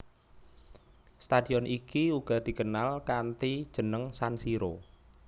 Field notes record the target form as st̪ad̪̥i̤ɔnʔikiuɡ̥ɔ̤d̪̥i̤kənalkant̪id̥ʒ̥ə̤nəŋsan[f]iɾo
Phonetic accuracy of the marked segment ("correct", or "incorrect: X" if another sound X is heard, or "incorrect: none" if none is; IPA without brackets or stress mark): incorrect: s